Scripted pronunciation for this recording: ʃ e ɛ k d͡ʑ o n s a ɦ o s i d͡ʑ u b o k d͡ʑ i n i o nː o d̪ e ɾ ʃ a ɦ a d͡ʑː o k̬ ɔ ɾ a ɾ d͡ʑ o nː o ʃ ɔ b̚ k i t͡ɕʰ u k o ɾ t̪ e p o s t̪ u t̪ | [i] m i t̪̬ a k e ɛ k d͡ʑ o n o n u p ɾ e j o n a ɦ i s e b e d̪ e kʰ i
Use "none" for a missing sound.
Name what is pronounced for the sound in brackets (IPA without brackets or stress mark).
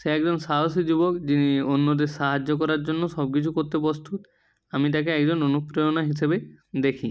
a